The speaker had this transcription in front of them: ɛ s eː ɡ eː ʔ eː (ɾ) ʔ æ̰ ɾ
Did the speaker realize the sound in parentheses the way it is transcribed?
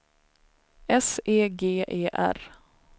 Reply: no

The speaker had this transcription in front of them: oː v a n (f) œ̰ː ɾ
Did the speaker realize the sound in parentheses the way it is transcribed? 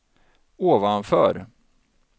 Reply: yes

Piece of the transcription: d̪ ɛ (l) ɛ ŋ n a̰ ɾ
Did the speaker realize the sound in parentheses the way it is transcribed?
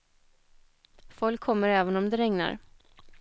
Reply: no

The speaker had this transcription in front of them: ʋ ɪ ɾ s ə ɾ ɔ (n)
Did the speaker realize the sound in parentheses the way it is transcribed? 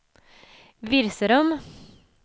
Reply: no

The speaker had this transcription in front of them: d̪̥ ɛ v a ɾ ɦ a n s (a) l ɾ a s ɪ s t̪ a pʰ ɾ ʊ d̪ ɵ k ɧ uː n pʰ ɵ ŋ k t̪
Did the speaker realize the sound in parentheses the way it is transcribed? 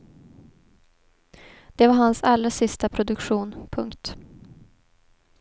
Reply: yes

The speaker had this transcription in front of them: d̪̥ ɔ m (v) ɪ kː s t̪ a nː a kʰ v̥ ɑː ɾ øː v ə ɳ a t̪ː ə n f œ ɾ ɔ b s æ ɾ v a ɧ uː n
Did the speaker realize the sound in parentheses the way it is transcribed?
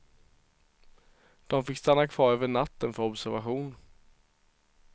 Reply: no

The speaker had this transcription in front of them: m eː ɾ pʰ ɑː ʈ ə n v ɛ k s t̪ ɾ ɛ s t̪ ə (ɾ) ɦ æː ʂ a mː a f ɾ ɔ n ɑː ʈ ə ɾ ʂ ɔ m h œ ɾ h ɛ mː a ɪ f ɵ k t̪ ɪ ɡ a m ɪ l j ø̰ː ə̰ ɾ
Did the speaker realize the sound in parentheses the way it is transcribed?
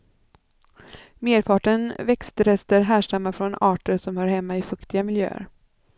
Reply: yes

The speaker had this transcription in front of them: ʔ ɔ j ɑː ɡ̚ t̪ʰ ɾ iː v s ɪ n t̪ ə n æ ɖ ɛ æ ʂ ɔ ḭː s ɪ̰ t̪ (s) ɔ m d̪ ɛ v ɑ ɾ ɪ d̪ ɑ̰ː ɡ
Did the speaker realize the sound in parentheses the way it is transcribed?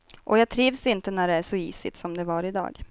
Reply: yes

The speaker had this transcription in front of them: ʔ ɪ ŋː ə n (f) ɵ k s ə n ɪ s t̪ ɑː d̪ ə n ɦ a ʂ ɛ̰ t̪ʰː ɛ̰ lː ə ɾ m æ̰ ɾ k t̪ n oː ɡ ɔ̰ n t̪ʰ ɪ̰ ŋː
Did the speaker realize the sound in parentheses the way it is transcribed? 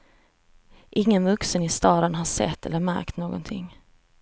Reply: no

